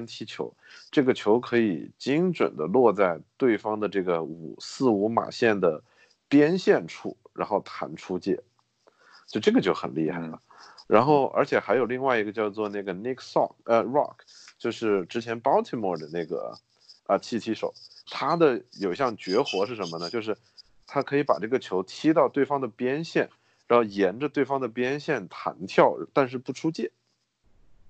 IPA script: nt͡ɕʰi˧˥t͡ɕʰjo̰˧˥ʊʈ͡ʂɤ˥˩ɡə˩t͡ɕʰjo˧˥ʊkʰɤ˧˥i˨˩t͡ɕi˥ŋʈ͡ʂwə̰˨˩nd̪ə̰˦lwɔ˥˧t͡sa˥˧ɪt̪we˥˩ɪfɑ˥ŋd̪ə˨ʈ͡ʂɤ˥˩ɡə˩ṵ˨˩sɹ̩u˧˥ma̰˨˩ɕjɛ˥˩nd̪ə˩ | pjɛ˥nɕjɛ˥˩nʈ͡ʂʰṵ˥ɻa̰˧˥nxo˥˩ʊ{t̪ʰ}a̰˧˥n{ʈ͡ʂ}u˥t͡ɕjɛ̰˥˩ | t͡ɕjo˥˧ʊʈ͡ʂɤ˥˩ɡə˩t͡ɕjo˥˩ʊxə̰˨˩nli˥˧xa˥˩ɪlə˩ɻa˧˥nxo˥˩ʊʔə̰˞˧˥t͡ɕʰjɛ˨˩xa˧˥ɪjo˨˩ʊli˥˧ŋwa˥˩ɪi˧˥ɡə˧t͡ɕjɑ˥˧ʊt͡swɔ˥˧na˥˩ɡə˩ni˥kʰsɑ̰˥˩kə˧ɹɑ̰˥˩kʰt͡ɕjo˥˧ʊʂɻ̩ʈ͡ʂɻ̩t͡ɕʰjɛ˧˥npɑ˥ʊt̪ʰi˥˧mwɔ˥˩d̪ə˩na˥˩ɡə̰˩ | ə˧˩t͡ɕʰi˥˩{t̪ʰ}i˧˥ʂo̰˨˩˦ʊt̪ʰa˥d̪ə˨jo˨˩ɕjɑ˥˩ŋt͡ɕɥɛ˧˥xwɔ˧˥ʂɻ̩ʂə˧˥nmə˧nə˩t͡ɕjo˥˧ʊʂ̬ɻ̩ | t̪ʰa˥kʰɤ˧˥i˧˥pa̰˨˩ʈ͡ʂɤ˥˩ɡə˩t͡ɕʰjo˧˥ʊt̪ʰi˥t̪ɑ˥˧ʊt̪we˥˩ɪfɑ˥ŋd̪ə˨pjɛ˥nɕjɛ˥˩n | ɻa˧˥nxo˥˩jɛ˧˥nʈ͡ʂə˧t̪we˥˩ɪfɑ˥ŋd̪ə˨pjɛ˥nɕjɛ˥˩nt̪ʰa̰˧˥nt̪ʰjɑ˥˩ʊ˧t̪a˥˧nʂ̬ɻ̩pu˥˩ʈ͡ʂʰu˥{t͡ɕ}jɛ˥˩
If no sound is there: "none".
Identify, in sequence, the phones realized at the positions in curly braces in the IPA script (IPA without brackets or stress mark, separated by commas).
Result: t̪ʰ, ʈ͡ʂʰ, t̪ʰ, t͡ɕ